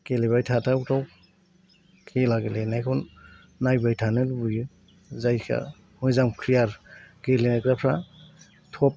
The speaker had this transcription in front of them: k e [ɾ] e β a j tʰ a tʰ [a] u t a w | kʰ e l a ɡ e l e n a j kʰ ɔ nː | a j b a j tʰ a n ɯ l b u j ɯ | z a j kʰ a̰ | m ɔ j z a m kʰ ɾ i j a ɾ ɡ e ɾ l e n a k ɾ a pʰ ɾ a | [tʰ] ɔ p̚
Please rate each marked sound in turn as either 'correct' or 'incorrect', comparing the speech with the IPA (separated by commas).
incorrect, correct, correct